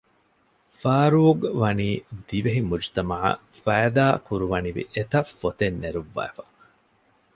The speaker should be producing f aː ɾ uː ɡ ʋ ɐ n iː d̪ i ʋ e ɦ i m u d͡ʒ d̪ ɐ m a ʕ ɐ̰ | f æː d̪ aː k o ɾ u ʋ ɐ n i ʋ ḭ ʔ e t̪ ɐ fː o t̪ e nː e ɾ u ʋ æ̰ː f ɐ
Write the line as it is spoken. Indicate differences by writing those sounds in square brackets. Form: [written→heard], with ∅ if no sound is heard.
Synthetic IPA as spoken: f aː ɾ uː ɡ ʋ ɐ n iː d̪ i ʋ e ɦ i m u d͡ʒ [d̪→t̪] ɐ m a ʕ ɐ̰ | f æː d̪ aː k [o→u] ɾ u ʋ ɐ n i ʋ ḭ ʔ e t̪ ɐ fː o t̪ e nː e ɾ u [ʋ→ʋː] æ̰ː f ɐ